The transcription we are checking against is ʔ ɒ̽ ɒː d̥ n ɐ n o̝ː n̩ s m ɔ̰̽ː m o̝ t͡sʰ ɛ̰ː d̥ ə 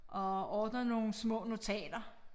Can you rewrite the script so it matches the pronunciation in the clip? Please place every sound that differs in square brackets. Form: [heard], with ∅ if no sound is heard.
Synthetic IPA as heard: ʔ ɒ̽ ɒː d̥ n ɐ n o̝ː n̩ s m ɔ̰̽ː [n] o̝ t͡sʰ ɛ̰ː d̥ [ɐ]